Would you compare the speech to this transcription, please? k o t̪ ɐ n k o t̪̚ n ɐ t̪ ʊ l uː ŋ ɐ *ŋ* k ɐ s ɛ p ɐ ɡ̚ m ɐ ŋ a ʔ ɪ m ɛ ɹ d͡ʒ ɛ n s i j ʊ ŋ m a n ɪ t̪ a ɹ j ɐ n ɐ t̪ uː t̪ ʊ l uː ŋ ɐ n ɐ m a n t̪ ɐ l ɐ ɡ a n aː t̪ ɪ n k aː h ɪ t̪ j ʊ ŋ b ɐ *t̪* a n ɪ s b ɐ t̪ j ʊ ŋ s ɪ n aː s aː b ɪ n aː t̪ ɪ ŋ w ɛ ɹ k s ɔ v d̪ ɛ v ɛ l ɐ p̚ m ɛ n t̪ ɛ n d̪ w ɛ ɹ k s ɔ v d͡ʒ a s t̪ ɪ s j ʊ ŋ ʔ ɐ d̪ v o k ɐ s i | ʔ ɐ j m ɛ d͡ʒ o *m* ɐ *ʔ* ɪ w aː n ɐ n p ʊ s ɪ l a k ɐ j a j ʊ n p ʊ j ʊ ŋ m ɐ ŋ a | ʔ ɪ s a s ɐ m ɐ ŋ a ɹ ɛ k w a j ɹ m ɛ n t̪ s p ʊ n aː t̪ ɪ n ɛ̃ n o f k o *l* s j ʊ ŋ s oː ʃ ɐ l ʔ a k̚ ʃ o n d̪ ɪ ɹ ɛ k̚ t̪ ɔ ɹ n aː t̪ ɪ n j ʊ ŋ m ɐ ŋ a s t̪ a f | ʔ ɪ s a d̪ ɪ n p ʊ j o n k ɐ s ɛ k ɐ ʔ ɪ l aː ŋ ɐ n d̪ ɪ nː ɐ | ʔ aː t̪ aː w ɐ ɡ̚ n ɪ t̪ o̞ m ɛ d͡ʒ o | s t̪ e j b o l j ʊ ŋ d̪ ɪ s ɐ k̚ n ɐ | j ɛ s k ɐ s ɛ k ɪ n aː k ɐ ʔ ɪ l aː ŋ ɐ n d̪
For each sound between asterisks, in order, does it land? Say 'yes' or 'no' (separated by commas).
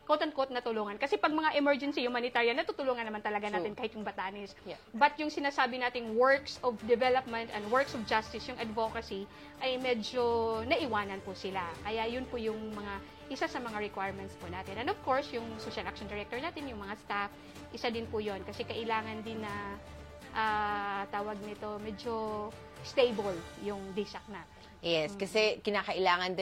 no, yes, no, yes, no